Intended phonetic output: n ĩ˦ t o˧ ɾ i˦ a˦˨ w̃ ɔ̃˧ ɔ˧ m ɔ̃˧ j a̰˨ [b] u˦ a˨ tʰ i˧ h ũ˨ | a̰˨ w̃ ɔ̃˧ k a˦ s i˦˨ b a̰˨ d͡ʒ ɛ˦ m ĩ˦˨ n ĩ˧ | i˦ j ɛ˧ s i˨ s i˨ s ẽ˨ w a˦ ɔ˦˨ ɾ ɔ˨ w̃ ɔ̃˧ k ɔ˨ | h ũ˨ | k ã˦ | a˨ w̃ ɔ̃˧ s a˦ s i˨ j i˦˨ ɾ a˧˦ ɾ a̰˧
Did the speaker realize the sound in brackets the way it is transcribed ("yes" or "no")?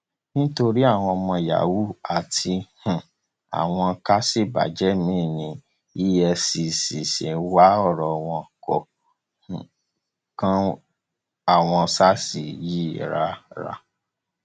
no